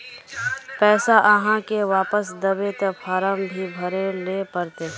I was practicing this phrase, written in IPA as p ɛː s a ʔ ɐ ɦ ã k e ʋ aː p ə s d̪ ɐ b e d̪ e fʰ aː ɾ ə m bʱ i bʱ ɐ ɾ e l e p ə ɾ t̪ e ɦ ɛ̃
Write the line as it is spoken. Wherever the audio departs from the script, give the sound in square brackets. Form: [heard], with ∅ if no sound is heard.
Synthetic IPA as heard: p ɛː s a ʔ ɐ ɦ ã k e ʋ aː p ə s d̪ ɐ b e [t̪] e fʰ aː ɾ ə m bʱ i bʱ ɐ ɾ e l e p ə ɾ t̪ e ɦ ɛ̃

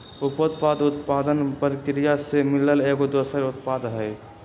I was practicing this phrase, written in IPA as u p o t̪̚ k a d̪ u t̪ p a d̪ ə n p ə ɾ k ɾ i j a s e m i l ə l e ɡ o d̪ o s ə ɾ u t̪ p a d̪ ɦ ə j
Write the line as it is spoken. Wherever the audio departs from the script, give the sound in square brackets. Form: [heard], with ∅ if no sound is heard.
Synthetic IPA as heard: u p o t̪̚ [p] a d̪ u t̪ p a d̪ ə n p ə ɾ k ɾ i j a s e m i l ə l e ɡ o d̪ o s ə ɾ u t̪ p a d̪ ɦ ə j

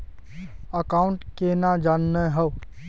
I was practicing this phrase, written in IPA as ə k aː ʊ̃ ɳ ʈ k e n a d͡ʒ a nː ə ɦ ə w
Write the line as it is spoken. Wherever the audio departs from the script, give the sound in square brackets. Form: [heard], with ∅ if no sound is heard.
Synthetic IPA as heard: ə k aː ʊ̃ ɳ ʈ k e n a d͡ʒ a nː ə ɦ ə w

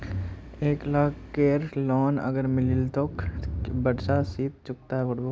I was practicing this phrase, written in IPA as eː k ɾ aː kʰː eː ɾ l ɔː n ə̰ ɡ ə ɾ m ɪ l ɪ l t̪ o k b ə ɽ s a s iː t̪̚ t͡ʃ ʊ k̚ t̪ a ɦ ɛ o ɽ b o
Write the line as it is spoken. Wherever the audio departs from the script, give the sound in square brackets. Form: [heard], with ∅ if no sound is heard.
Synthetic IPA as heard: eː k [l] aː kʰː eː ɾ l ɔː n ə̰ ɡ ə ɾ m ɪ l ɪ l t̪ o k b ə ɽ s a s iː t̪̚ t͡ʃ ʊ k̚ t̪ a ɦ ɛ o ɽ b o

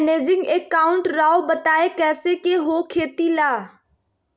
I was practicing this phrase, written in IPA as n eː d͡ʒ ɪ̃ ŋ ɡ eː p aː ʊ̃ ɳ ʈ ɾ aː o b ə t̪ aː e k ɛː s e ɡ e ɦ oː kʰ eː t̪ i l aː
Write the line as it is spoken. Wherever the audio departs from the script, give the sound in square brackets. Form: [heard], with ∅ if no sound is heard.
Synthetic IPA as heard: n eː d͡ʒ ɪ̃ ŋ ɡ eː [k] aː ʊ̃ ɳ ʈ ɾ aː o b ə t̪ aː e k ɛː s e [k] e ɦ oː kʰ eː t̪ i l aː

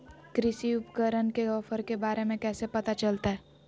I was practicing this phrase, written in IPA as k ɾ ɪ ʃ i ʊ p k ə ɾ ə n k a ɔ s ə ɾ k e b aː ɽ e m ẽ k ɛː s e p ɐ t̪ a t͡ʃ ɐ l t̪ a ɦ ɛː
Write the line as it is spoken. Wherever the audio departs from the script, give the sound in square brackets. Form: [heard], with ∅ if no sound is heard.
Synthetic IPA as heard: k ɾ ɪ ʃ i ʊ p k ə ɾ ə n k [e] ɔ [f] ə ɾ k e b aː [ɾ] e m ẽ k ɛː s e p ɐ t̪ a t͡ʃ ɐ l t̪ a ɦ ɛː

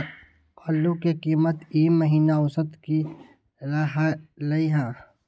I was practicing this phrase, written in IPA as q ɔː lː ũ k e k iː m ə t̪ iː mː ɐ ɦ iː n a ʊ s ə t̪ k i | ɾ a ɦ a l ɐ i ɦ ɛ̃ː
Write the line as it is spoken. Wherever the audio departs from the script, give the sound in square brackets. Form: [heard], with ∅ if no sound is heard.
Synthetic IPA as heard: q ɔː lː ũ k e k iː m ə t̪ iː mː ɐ ɦ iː n a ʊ s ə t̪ k i | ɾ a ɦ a l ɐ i ɦ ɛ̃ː

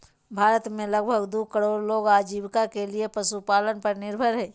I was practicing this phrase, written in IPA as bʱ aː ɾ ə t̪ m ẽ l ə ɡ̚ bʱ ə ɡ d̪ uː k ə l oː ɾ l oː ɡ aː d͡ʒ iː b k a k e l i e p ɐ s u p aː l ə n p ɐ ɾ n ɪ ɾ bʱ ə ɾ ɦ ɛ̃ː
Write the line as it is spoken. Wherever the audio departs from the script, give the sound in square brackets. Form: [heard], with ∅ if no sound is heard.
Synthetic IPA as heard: bʱ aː ɾ ə t̪ m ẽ l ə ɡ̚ bʱ ə ɡ d̪ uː k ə [ɽ] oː ɾ l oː ɡ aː d͡ʒ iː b k a k e l i e p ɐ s u p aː l ə n p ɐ ɾ n ɪ ɾ bʱ ə ɾ ɦ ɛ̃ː

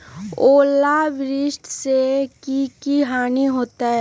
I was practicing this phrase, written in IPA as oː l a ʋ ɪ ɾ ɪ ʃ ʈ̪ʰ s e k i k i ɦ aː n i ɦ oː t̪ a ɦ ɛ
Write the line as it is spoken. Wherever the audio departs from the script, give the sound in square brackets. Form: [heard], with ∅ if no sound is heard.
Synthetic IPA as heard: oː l a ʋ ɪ ɾ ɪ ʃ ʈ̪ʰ s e k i k i ɦ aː n i ɦ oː t̪ a ɦ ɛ

